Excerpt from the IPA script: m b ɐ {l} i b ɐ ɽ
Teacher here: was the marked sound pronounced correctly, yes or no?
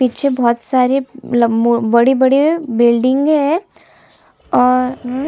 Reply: no